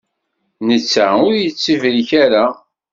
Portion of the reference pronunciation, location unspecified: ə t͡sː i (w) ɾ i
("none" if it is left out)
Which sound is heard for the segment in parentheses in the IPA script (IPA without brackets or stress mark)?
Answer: v